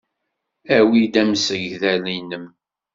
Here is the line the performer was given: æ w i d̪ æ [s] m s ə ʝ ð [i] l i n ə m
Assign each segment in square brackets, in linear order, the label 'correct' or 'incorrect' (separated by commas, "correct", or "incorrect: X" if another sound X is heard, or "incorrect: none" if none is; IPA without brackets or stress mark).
incorrect: none, incorrect: æ